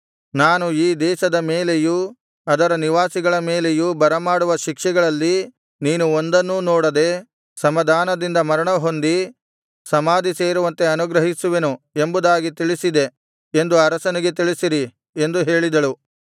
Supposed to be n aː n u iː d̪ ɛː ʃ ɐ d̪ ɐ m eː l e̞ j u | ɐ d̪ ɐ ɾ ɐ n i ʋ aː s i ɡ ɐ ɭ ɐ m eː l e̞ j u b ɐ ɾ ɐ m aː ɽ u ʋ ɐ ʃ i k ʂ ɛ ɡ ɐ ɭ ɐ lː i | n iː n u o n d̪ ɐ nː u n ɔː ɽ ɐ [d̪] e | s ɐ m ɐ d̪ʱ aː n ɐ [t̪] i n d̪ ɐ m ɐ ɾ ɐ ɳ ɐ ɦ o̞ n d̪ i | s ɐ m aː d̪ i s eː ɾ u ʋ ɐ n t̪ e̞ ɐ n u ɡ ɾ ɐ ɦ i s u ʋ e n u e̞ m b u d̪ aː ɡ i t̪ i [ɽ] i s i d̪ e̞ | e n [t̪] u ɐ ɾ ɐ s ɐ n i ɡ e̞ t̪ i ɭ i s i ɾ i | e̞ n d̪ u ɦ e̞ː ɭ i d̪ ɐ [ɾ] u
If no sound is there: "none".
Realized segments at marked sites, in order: d̪, d̪, ɭ, d̪, ɭ

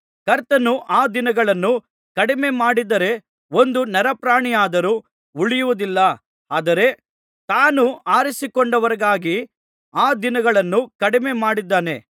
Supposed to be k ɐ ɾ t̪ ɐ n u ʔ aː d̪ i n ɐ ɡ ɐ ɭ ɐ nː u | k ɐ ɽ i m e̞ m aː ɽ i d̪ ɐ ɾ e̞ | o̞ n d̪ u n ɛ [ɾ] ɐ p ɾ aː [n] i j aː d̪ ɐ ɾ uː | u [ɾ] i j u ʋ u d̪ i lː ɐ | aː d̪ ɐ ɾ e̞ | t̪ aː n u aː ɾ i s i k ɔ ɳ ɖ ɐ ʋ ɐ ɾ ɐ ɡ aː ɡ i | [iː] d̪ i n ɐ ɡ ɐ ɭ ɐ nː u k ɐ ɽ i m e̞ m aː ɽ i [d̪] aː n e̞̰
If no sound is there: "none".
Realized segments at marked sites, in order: ɾ, ɳ, ɭ, aː, d̪ː

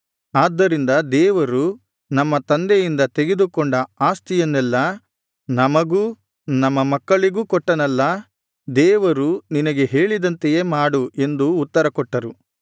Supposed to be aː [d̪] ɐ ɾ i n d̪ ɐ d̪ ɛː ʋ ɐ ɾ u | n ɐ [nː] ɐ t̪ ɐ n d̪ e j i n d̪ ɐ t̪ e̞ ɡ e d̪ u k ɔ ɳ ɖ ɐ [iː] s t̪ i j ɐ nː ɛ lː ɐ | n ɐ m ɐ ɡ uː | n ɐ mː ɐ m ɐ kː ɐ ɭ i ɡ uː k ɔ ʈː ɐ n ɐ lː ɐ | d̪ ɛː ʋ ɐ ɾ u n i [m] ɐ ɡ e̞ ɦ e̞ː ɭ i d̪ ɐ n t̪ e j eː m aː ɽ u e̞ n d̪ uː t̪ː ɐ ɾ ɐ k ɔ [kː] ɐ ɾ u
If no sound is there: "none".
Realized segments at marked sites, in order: d̪ː, mː, aː, n, ʈː

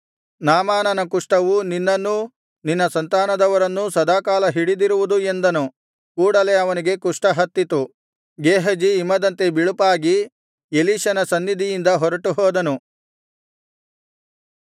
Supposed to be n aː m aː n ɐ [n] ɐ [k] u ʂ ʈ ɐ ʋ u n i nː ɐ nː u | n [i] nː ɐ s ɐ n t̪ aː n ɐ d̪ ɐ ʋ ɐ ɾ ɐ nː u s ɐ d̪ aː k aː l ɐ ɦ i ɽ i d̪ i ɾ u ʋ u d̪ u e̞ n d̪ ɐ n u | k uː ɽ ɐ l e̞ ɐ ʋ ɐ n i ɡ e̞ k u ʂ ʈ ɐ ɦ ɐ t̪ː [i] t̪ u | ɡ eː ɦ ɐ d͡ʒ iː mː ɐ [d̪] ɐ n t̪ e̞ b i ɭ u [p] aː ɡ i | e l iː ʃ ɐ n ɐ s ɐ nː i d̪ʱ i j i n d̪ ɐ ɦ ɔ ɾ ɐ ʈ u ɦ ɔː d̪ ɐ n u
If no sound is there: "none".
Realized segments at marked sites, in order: n, k, i, i, d̪, p

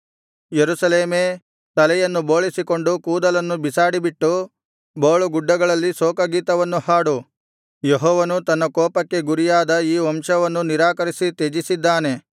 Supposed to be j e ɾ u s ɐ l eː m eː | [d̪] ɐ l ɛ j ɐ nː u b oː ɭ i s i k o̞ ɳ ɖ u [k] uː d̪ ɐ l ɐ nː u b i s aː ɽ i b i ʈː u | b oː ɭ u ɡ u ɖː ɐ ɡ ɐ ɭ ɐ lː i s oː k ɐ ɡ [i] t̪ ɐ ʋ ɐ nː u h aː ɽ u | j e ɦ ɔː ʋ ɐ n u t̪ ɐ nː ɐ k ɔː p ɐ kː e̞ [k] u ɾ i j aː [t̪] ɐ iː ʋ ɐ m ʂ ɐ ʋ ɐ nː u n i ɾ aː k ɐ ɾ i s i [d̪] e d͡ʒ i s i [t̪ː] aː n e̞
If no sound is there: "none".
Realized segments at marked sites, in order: t̪, k, iː, ɡ, d̪, t̪, d̪ː

